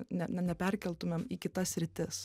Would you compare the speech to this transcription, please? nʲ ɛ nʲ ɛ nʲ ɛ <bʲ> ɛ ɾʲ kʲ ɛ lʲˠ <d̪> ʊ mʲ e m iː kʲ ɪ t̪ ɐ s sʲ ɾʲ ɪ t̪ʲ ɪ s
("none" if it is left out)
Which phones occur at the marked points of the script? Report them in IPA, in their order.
pʲ, t̪

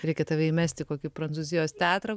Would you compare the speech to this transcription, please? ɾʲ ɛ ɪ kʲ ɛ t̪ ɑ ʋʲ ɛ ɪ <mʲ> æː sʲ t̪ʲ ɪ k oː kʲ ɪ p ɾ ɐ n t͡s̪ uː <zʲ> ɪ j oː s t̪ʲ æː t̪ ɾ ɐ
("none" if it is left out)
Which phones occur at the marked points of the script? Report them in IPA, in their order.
mʲ, zʲ

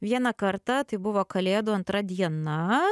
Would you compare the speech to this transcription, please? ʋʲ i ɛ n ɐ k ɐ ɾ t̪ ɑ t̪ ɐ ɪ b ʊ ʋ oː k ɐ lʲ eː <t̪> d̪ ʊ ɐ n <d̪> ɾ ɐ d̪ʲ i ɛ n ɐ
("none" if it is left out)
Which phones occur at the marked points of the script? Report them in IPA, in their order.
none, t̪

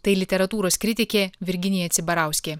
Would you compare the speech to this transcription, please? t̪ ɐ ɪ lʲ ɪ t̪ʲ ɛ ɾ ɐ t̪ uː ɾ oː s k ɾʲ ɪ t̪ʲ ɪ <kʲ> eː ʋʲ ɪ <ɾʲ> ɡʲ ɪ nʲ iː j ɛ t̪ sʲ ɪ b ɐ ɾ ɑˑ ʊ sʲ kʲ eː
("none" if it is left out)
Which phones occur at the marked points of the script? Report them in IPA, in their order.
kʲ, ɾʲ

